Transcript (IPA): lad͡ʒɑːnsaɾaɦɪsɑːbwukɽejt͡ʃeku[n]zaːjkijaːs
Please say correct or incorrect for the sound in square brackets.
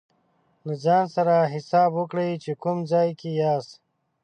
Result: incorrect: m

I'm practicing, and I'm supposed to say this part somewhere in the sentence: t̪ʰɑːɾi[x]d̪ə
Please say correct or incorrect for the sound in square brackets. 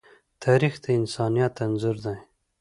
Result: correct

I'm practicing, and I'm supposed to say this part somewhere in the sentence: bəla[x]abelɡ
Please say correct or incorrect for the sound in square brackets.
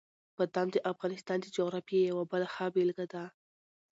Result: correct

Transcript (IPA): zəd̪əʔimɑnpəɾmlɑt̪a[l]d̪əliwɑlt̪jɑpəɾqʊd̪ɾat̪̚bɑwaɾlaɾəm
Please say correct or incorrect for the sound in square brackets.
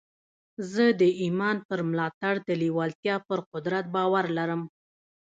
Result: incorrect: ɽ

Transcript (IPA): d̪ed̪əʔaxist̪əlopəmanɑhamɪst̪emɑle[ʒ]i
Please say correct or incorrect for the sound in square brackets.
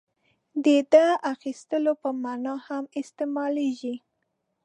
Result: correct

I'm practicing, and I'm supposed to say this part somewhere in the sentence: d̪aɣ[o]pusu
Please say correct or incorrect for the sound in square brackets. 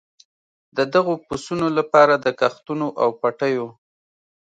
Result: correct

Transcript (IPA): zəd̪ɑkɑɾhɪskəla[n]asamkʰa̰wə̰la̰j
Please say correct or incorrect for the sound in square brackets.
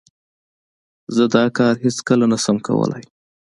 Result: correct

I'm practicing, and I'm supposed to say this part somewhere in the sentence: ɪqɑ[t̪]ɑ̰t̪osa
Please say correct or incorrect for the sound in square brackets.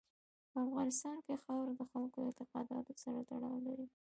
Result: incorrect: d̪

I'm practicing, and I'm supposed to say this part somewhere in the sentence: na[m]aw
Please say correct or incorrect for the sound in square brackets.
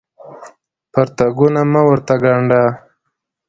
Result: correct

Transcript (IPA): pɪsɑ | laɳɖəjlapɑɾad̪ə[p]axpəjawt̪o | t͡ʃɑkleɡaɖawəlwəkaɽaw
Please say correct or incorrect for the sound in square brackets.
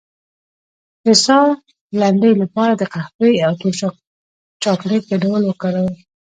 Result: incorrect: q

